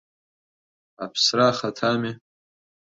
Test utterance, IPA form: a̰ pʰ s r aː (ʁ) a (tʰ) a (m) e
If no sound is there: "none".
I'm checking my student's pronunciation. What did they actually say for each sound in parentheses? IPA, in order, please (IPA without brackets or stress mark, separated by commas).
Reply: χ, tʰ, m